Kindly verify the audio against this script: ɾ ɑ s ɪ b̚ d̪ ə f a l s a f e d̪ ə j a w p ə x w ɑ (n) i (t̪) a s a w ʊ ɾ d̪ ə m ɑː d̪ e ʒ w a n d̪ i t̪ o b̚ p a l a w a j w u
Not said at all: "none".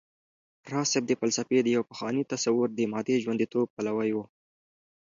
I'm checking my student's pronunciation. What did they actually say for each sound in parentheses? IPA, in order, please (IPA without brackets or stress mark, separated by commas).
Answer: n, t̪